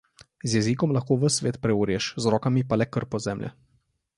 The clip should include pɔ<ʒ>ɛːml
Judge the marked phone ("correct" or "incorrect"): incorrect